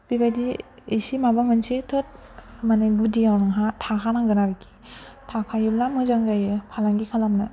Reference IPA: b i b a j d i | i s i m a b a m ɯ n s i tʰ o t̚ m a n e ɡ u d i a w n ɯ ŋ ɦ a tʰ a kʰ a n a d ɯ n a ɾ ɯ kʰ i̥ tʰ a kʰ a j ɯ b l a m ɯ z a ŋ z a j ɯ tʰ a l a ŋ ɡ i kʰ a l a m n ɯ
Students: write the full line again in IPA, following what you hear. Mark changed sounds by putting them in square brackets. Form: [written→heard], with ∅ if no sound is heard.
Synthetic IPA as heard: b i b a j d i | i s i m a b a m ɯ n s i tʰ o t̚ m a n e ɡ u d i a w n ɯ ŋ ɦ a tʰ a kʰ a n a [d→ɡ] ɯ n a ɾ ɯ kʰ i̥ tʰ a kʰ a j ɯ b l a m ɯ z a ŋ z a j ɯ [tʰ→pʰ] a l a ŋ ɡ i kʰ a l a m n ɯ